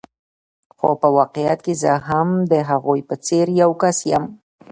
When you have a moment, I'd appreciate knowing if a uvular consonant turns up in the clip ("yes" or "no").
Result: yes